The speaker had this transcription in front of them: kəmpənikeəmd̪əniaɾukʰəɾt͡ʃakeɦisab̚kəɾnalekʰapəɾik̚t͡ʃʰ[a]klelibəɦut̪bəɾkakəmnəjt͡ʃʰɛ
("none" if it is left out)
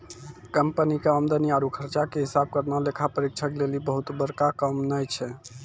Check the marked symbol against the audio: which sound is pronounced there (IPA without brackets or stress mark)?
ə